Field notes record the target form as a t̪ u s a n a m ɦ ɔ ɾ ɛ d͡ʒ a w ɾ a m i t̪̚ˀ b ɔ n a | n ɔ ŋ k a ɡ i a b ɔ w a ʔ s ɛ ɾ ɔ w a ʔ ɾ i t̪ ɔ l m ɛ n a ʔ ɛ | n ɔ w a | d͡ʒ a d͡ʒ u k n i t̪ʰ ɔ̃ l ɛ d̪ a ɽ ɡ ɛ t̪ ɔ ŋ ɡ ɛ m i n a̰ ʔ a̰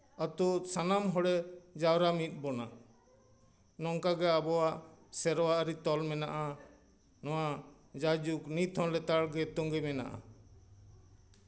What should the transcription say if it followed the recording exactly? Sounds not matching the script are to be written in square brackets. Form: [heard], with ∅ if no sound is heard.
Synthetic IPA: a t̪ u s a n a m ɦ ɔ [ɽ] ɛ d͡ʒ a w ɾ a m i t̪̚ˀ b ɔ n a | n ɔ ŋ k a ɡ [ɛ] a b ɔ w a ʔ s ɛ ɾ ɔ w a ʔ ɾ i t̪ ɔ l m ɛ n a ʔ [a] | n ɔ w a | d͡ʒ a d͡ʒ u k n i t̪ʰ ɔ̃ l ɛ [t̪] a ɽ ɡ ɛ t̪ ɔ ŋ ɡ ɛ m [ɛ] n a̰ ʔ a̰

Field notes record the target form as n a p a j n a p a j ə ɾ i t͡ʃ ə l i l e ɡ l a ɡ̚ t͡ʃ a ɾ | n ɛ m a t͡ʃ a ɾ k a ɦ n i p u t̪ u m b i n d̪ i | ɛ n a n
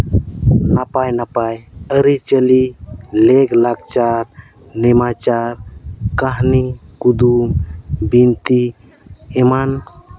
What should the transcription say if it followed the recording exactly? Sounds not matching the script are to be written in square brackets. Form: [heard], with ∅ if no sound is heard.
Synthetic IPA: n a p a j n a p a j ə ɾ i t͡ʃ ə l i l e ɡ l a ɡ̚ t͡ʃ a ɾ | n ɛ m a t͡ʃ a ɾ k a ɦ n i [k] u [d̪] u m b i n [t̪] i | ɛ [m] a n

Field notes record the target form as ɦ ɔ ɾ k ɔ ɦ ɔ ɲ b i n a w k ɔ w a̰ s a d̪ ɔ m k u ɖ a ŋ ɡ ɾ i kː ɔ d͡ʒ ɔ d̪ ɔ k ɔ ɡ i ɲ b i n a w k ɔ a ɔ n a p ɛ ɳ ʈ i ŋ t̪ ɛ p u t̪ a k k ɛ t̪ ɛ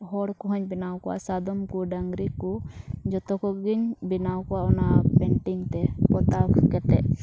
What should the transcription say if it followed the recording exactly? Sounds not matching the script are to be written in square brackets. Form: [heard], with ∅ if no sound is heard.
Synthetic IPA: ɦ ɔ [ɽ] k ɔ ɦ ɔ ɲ b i n a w k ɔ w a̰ s a d̪ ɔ m k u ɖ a ŋ ɡ ɾ i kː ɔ d͡ʒ ɔ [t̪] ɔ k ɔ ɡ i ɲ b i n a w k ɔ a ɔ n a p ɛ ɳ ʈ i ŋ t̪ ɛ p [ɔ] t̪ a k k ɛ t̪ ɛ

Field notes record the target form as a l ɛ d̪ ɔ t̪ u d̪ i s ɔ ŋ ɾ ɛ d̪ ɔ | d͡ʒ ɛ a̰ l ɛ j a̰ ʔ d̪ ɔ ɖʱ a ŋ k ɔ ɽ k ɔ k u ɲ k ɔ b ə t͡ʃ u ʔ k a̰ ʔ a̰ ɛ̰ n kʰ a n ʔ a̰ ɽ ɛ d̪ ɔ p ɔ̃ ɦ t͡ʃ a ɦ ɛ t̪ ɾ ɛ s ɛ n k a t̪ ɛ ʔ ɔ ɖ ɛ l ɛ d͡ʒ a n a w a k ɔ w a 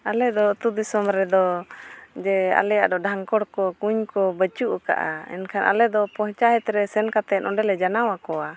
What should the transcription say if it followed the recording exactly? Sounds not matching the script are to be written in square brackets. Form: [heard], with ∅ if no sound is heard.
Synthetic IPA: a l ɛ d̪ ɔ t̪ u d̪ i s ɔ [m] ɾ ɛ d̪ ɔ | d͡ʒ ɛ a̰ l ɛ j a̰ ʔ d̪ ɔ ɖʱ a ŋ k ɔ ɽ k ɔ k u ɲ k ɔ b ə t͡ʃ u ʔ k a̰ ʔ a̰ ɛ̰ n kʰ a n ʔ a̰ [l] ɛ d̪ ɔ p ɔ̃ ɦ t͡ʃ a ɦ ɛ t̪ ɾ ɛ s ɛ n k a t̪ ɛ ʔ ɔ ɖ ɛ l ɛ d͡ʒ a n a w a k ɔ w a

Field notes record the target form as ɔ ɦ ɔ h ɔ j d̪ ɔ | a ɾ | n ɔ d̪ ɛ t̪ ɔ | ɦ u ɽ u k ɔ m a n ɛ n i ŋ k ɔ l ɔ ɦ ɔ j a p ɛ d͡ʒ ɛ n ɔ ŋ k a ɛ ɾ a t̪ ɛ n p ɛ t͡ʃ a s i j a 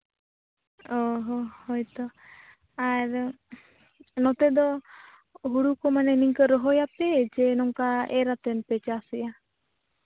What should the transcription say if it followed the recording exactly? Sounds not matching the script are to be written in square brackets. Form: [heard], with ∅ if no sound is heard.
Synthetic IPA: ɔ ɦ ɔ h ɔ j [t̪] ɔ | a ɾ | n ɔ [t̪] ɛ [d̪] ɔ | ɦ u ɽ u k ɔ m a n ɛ n i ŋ k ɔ [ɾ] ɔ ɦ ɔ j a p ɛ d͡ʒ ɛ n ɔ ŋ k a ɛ ɾ a t̪ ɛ n p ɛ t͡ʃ a s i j a

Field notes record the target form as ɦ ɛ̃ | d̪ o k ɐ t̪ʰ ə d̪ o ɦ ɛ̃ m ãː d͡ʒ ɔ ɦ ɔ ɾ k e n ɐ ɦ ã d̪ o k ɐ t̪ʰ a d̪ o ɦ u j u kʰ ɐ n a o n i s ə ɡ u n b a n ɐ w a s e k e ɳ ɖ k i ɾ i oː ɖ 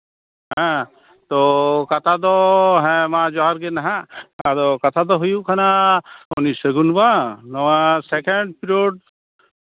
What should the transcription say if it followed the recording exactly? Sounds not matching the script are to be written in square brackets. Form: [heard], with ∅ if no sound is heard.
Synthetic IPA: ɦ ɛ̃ | [t̪] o k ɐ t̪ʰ [a] d̪ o ɦ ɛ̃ m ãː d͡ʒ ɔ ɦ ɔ ɾ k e n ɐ ɦ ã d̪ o k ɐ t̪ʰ a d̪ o ɦ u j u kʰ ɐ n a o n i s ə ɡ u n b a n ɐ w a s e k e ɳ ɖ [p] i ɾ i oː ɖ

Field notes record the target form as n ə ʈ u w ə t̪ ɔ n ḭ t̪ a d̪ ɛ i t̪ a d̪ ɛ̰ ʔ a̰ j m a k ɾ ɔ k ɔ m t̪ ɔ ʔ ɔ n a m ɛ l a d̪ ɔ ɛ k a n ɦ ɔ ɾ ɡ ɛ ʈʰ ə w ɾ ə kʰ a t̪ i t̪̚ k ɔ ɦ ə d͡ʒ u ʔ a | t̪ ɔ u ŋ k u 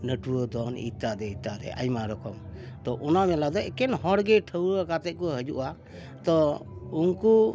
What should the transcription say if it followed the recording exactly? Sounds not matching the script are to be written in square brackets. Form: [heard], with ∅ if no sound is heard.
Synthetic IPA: n ə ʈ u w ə [d̪] ɔ n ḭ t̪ a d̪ ɛ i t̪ a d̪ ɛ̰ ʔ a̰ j m a [∅] ɾ ɔ k ɔ m t̪ ɔ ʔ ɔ n a m ɛ l a d̪ ɔ ɛ k [ɛ] n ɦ ɔ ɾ ɡ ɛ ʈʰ ə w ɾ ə [k] a t̪ [ɛ] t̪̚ k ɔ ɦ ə d͡ʒ u ʔ a | t̪ ɔ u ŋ k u

